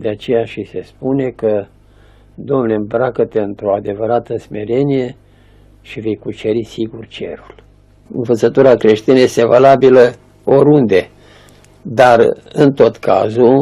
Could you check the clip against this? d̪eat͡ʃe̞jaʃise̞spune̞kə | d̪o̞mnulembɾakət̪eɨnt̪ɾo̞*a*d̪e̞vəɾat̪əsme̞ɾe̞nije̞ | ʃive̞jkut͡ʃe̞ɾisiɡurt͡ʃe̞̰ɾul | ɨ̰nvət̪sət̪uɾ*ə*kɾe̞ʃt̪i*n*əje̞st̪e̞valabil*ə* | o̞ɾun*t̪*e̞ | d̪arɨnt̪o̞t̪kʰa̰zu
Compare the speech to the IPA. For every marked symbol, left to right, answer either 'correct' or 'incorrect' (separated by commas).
correct, incorrect, correct, correct, incorrect